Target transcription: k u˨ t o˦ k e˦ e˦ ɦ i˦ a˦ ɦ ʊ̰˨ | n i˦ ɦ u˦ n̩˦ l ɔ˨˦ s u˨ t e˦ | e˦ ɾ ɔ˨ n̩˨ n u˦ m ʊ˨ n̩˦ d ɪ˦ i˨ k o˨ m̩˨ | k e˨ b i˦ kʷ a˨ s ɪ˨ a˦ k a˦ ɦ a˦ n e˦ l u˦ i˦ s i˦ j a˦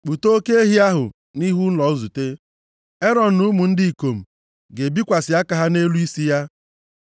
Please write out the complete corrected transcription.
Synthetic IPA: k͡p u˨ t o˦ k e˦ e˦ ɦ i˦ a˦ ɦ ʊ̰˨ | n i˦ ɦ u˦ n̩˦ l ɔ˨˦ z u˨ t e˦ | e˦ ɾ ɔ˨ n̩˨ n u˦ m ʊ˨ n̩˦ d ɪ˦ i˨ k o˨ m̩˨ | ɡ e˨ b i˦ kʷ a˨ s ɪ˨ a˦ k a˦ ɦ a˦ n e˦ l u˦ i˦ s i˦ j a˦

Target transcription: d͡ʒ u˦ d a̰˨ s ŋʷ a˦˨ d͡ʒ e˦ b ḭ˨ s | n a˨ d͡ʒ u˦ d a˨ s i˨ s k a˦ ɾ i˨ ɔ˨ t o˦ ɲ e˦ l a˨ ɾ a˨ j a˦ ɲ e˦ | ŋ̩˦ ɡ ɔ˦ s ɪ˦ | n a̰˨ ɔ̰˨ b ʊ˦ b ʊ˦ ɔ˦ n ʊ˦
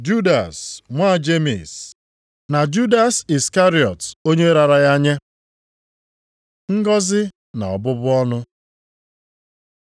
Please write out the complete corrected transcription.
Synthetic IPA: d͡ʒ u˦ d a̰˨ s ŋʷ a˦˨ d͡ʒ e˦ m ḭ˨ s | n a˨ d͡ʒ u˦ d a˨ s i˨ s k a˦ ɾ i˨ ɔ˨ t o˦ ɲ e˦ ɾ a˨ ɾ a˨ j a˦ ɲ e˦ | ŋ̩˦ ɡ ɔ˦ z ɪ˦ | n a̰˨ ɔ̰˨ b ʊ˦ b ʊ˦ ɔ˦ n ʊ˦

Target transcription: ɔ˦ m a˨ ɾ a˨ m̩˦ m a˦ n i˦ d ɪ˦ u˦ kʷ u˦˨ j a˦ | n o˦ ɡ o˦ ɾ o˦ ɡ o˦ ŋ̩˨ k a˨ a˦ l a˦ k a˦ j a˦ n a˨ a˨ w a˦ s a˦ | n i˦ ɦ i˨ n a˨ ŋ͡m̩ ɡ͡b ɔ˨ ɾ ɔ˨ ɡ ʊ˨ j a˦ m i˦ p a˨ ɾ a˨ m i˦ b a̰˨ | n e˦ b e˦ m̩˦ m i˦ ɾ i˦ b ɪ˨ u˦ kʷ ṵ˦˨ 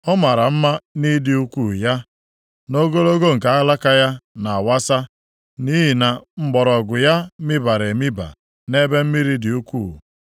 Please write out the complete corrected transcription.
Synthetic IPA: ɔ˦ m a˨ ɾ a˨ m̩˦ m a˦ n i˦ d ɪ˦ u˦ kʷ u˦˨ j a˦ | n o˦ ɡ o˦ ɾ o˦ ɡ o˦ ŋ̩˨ k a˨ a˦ l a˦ k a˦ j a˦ n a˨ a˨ w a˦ s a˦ | n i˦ ɦ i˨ n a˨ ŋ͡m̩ ɡ͡b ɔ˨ ɾ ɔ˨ ɡ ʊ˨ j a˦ m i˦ b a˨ ɾ e˨ m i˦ b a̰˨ | n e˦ b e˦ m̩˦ m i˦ ɾ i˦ d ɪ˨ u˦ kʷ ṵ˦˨

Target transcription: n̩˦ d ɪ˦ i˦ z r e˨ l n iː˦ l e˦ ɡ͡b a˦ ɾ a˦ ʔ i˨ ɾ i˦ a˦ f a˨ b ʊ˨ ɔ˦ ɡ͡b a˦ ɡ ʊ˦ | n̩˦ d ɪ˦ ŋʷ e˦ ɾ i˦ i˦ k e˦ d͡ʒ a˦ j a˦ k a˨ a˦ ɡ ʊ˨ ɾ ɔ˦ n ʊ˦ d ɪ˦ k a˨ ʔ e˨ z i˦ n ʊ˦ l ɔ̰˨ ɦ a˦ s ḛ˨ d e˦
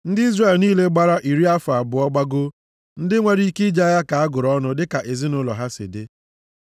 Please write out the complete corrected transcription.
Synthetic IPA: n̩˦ d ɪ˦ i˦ z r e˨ l n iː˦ l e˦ ɡ͡b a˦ ɾ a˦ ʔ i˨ ɾ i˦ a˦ f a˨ b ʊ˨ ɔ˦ ɡ͡b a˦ ɡ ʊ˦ | n̩˦ d ɪ˦ ŋʷ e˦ ɾ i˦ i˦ k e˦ d͡ʒ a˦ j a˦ k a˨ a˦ ɡ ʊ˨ ɾ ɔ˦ n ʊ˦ d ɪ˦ k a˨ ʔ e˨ z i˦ n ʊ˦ l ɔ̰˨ ɦ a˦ s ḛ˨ d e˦

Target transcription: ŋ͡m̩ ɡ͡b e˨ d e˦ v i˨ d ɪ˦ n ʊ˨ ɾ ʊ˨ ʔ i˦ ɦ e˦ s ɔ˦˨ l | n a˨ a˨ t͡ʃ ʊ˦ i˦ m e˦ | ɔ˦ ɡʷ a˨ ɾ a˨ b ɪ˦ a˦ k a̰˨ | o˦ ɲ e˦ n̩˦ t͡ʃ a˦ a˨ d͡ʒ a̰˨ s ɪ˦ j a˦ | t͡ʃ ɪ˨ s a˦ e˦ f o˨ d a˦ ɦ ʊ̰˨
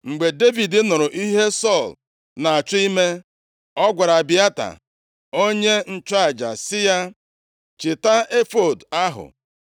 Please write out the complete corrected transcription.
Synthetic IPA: ŋ͡m̩ ɡ͡b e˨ d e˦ v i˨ d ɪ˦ n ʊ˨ ɾ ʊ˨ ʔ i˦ ɦ e˦ s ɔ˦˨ l | n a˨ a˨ t͡ʃ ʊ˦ i˦ m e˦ | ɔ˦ ɡʷ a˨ ɾ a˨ b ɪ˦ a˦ t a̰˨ | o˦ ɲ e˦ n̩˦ t͡ʃ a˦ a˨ d͡ʒ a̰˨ s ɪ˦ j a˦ | t͡ʃ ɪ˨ t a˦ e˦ f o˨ d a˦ ɦ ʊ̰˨

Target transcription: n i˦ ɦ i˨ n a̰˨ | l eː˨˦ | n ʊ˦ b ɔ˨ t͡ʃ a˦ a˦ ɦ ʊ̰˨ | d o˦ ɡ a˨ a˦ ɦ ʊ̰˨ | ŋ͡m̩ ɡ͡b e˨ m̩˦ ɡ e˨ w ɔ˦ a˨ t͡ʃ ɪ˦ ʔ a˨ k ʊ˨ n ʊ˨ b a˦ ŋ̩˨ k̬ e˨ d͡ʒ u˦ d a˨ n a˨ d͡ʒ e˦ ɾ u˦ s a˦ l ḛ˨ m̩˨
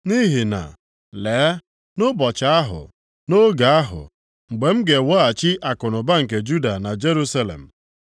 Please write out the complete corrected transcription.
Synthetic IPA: n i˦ ɦ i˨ n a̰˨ | l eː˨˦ | n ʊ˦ b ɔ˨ t͡ʃ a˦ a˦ ɦ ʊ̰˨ | n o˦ ɡ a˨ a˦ ɦ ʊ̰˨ | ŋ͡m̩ ɡ͡b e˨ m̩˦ ɡ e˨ w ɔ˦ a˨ t͡ʃ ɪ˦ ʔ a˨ k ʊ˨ n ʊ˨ b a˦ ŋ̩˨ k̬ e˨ d͡ʒ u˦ d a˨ n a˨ d͡ʒ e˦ ɾ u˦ s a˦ l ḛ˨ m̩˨

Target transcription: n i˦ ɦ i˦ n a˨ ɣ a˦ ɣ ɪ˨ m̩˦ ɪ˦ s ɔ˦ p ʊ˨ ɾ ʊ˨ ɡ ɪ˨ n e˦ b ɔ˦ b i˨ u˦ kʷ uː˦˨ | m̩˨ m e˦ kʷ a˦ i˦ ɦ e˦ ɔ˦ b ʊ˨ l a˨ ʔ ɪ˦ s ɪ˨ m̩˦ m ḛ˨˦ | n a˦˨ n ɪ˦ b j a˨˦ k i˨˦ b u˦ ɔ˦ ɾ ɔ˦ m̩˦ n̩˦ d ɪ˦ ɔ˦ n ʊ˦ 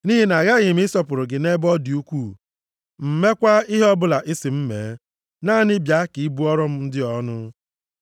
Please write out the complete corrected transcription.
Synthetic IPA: n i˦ ɦ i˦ n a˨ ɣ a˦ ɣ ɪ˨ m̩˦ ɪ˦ s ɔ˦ p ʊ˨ ɾ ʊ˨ ɡ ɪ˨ n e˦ b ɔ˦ d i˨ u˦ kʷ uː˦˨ | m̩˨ m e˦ kʷ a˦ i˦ ɦ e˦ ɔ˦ b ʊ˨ l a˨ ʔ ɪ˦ s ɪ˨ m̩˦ m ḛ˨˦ | n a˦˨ n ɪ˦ b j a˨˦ k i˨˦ b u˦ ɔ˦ ɾ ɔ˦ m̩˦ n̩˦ d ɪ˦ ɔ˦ n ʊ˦

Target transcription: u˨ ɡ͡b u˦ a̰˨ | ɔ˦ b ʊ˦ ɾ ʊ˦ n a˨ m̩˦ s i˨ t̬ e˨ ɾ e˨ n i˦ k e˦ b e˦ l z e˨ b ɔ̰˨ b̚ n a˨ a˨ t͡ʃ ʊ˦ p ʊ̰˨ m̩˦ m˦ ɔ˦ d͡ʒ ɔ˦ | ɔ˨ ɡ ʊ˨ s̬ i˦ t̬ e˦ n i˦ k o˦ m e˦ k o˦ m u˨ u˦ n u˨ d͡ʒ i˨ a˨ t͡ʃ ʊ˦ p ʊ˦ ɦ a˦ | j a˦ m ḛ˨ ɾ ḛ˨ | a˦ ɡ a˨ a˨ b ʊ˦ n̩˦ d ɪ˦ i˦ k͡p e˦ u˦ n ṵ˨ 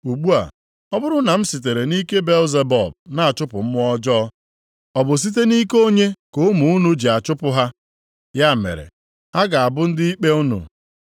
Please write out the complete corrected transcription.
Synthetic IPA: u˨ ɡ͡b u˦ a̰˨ | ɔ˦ b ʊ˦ ɾ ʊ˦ n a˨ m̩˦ s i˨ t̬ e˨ ɾ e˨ n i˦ k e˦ b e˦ l z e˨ b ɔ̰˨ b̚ n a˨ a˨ t͡ʃ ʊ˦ p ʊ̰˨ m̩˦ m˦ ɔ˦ d͡ʒ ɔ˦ | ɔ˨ b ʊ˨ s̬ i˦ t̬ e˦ n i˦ k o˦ ɲ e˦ k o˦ m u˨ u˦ n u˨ d͡ʒ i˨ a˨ t͡ʃ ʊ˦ p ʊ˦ ɦ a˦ | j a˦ m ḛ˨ ɾ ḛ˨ | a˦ ɡ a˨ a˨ b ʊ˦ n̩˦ d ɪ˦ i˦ k͡p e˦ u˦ n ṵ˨

